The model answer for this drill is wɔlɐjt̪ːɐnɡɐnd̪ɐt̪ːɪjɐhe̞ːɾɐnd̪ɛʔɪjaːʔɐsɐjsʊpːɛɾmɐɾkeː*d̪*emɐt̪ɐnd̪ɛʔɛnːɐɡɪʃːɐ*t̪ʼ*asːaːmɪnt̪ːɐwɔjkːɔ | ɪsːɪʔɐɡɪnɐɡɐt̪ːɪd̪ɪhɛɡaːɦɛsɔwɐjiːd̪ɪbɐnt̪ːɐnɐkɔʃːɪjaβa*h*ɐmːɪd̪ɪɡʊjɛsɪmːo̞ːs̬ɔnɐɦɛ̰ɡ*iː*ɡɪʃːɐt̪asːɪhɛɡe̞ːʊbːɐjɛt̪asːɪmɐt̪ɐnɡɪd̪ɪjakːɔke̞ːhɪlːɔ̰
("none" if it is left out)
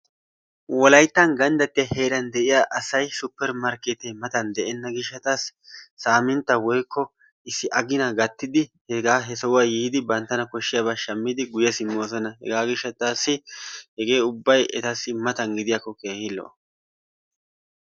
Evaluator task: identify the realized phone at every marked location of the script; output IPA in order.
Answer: t̪, t̪, ʃ, aː

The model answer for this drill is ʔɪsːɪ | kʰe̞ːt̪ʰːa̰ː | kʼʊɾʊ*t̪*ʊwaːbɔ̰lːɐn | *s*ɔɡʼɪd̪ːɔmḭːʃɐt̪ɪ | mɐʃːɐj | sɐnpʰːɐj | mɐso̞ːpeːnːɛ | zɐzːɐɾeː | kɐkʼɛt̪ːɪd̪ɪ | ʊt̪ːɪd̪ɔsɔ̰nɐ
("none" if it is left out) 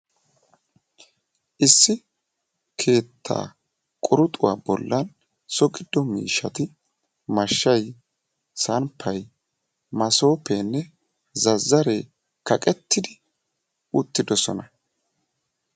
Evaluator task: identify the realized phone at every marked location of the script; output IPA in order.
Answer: t̪ʼ, s

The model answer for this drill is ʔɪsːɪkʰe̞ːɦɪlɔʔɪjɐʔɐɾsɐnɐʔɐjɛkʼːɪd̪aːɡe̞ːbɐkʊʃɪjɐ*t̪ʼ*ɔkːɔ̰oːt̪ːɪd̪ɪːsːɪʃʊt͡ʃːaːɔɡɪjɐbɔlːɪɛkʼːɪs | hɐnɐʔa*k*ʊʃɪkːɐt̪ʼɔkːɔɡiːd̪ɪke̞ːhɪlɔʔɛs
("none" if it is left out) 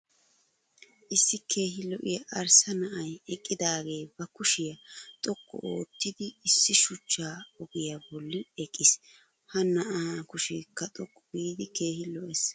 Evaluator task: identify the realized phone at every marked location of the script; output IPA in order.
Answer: t̪ʼ, k

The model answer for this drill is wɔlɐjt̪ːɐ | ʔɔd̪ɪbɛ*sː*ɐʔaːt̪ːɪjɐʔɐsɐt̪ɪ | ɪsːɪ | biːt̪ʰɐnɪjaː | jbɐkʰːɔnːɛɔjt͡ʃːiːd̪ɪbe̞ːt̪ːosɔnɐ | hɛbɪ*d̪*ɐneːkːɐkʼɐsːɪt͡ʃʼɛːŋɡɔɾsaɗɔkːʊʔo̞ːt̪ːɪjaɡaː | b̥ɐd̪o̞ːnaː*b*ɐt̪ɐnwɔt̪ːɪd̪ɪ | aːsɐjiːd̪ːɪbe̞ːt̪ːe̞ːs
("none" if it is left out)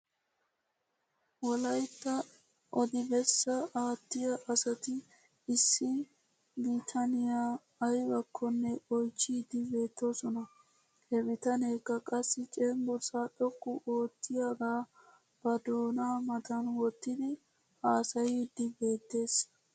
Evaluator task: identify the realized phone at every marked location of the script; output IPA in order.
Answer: sː, t̪, m

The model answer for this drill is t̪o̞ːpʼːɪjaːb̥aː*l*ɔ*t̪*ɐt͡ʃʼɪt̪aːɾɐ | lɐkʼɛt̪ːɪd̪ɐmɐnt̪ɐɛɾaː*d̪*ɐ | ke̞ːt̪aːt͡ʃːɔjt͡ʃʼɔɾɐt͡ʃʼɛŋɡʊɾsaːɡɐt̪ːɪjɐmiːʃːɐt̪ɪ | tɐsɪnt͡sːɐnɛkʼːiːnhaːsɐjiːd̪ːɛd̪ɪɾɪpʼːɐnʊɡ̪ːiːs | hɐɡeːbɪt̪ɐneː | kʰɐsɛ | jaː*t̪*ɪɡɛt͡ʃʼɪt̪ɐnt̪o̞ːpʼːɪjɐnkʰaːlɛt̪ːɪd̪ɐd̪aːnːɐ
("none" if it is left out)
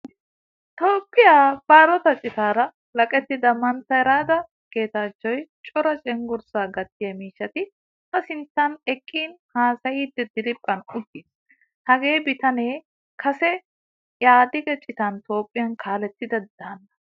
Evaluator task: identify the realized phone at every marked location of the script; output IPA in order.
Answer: ɾ, t̪, d̪, d̪

